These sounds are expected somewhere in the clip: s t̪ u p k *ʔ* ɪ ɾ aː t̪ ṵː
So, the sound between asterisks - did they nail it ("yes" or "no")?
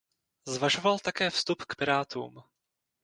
no